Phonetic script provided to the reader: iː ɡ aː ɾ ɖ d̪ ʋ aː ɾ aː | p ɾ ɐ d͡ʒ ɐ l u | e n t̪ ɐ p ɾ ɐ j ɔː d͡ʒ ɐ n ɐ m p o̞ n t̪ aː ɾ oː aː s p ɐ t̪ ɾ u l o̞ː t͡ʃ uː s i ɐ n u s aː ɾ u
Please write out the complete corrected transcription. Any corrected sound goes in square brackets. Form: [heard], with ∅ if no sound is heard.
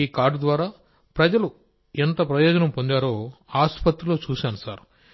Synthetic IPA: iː [k] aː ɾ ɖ d̪ ʋ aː ɾ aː | p ɾ ɐ d͡ʒ ɐ l u | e n t̪ ɐ p ɾ ɐ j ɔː d͡ʒ ɐ n ɐ m p o̞ n [d̪] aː ɾ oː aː s p ɐ t̪ ɾ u l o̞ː t͡ʃ uː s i ɐ n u s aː ɾ u